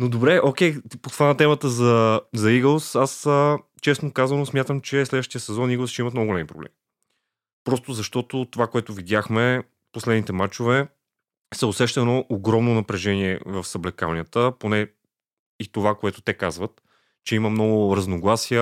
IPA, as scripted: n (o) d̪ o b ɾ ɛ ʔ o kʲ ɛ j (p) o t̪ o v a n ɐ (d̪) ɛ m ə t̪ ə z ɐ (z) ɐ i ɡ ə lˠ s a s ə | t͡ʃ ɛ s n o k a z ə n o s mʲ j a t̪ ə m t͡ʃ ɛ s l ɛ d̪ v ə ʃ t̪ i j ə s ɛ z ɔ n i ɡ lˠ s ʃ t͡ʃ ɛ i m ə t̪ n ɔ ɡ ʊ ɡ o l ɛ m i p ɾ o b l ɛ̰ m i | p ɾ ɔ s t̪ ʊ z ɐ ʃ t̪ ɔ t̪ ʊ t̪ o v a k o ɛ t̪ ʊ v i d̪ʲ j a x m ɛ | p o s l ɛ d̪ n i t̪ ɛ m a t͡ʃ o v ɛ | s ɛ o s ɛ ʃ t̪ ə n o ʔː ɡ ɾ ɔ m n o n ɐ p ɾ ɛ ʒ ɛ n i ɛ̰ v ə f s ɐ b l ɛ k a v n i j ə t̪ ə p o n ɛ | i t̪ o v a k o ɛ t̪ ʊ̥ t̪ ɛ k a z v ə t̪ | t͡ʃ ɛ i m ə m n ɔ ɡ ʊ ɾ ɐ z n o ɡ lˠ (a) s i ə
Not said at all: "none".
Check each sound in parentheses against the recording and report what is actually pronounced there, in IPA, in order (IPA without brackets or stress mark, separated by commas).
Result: o, p, t̪, z, a